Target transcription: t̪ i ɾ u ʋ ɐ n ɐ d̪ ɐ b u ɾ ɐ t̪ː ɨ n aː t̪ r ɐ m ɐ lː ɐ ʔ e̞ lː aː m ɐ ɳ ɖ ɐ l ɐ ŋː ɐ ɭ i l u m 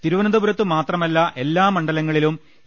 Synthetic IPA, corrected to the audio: t̪ i ɾ u ʋ ɐ n ɐ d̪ ɐ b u ɾ ɐ t̪ː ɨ m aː t̪ r ɐ m ɐ lː ɐ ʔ e̞ lː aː m ɐ ɳ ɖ ɐ l ɐ ŋː ɐ ɭ i l u m